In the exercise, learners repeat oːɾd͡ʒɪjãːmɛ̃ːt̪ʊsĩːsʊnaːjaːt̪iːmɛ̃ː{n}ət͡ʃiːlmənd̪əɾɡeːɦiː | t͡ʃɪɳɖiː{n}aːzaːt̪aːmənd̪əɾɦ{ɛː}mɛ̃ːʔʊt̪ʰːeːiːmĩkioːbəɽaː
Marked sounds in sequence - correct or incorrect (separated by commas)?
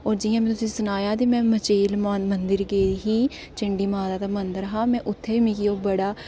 incorrect, incorrect, incorrect